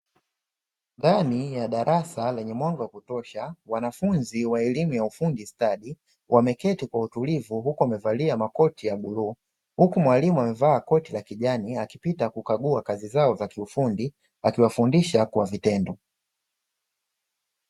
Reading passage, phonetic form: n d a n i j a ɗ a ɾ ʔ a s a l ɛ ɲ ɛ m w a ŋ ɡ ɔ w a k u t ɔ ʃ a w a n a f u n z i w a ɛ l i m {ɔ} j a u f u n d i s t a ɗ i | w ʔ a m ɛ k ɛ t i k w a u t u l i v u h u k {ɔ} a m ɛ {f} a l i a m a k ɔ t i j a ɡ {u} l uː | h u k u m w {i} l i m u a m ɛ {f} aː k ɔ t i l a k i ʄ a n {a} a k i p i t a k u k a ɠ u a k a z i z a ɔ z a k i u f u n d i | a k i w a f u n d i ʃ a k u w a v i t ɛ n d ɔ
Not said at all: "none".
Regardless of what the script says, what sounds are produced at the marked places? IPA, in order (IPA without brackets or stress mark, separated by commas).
u, u, v, u, a, v, i